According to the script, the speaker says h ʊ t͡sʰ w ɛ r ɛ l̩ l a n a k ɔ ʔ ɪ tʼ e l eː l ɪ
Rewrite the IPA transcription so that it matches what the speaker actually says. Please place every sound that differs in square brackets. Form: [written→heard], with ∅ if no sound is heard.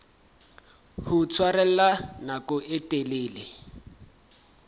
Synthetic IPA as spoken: h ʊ t͡sʰ w [ɛ→a] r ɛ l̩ l a n a k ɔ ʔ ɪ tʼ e l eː l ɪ